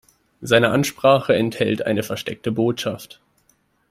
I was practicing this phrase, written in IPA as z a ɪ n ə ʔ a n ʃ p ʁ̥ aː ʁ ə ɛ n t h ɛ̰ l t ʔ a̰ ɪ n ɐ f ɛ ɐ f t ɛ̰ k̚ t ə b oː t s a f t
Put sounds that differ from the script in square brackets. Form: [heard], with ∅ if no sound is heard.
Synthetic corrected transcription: z a ɪ n ə ʔ a n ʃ p ʁ̥ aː [χ] ə ɛ n t h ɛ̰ l t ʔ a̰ ɪ n [ə] f ɛ ɐ [ʃ] t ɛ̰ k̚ t ə b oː t [ʃ] a f t